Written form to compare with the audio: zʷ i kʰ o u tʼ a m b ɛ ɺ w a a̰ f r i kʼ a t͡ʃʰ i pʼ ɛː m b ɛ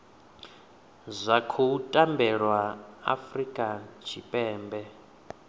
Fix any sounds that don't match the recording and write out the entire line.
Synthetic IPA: zʷ a kʰ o u tʼ a m b ɛ ɺ w a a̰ f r i kʼ a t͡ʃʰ i pʼ ɛː m b ɛ